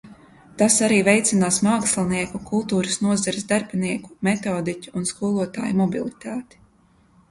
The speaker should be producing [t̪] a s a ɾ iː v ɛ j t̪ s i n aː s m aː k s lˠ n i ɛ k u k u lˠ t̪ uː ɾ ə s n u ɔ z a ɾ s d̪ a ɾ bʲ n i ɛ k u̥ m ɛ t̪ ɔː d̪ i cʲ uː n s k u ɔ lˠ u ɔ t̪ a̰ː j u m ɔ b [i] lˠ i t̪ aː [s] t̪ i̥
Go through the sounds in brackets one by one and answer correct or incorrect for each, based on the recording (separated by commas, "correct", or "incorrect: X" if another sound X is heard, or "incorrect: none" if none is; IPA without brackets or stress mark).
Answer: correct, correct, incorrect: none